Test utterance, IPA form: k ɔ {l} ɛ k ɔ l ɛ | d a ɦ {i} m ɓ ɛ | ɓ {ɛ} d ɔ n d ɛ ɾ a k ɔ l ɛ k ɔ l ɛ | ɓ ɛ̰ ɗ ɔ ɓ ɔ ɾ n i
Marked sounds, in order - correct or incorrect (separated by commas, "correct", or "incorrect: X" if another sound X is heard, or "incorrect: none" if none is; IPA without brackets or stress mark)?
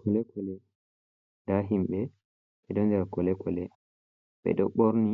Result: correct, correct, correct